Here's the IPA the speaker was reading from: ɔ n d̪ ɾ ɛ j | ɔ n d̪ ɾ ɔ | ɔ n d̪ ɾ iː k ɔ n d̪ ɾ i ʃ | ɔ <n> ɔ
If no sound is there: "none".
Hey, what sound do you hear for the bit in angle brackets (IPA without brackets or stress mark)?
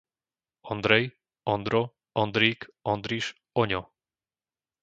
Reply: ɲ